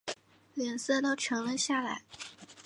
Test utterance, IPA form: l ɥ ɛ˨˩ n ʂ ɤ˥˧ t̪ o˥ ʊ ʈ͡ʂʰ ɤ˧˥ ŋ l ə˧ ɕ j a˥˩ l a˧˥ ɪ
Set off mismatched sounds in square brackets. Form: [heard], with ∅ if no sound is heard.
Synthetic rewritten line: l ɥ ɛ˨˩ n [s] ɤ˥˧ t̪ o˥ ʊ ʈ͡ʂʰ ɤ˧˥ ŋ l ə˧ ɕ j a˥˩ l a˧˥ ɪ